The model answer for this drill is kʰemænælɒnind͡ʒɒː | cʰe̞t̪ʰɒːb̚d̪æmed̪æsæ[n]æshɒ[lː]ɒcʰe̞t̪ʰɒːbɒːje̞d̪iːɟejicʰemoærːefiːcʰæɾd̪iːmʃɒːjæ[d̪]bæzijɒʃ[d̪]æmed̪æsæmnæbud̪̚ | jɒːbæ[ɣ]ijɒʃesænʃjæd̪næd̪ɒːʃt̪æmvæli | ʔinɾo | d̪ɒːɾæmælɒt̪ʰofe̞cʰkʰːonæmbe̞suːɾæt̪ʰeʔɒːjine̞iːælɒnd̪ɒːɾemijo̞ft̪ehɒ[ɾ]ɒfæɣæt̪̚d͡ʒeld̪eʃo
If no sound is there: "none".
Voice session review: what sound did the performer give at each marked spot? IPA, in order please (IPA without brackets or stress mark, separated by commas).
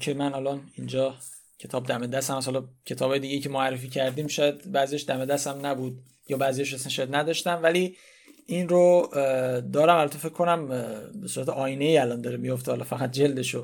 m, l, d̪, d̪, z, l